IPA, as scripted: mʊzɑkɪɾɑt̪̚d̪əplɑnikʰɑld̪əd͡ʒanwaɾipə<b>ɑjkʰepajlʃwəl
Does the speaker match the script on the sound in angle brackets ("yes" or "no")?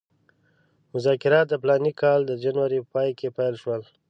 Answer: no